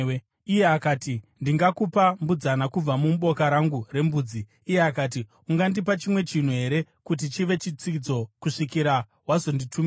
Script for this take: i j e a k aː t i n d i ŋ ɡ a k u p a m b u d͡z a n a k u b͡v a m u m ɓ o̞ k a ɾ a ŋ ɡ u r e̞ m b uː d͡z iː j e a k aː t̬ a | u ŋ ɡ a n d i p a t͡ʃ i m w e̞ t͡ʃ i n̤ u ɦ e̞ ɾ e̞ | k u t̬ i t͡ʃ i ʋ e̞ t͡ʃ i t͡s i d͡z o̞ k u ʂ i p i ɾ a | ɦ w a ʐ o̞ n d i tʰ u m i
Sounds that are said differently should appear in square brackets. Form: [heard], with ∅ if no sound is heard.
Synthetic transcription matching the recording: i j e a k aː t i n d i ŋ ɡ a k u p a m b u d͡z a n a k u b͡v a m u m ɓ o̞ k a ɾ a ŋ ɡ u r e̞ m b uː d͡z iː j e a k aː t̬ [i] | u ŋ ɡ a n d i p a t͡ʃ i m w e̞ t͡ʃ i n̤ u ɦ e̞ ɾ e̞ | k u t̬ i t͡ʃ i ʋ e̞ t͡ʃ i t͡s i d͡z o̞ k u ʂ i [k] i ɾ a | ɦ w a [z] o̞ n d i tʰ u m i